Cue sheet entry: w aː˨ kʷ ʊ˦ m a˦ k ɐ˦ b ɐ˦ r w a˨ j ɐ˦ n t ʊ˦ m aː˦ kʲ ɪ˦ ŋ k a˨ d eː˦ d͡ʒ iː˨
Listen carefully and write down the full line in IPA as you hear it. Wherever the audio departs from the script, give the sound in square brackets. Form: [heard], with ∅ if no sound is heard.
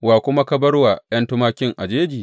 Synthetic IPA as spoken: w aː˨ kʷ ʊ˦ m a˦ k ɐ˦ b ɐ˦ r w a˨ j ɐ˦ n t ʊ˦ m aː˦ kʲ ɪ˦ ŋ [ʔ] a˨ [d͡ʒ] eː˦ d͡ʒ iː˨